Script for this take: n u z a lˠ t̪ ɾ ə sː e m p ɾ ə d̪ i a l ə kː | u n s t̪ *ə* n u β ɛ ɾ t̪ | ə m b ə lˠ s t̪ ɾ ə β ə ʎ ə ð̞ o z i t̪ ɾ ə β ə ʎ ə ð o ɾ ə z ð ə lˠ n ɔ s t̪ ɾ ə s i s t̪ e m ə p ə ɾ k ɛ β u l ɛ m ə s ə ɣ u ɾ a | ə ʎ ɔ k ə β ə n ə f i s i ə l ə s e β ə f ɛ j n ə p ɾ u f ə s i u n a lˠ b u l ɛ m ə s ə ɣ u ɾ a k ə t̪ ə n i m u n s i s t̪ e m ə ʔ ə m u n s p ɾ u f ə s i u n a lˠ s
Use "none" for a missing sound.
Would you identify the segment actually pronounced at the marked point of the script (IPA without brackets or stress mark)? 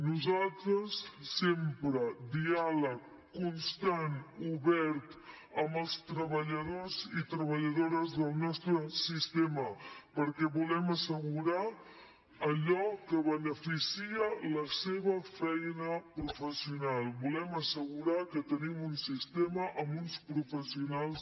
a